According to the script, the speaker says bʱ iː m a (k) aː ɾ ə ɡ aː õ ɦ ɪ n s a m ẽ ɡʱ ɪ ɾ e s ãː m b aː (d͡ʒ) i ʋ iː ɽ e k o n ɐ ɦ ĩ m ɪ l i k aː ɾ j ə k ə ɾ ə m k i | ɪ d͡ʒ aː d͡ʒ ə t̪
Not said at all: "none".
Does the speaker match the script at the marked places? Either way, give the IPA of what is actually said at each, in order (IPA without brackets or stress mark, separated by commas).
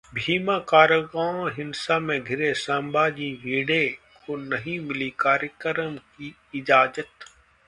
k, d͡ʒ